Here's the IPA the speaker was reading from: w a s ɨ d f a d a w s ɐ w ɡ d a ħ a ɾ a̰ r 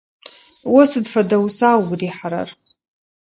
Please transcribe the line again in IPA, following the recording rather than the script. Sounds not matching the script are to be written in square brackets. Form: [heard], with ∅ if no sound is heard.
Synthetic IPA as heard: w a s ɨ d f a d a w s [a] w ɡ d [i] ħ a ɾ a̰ r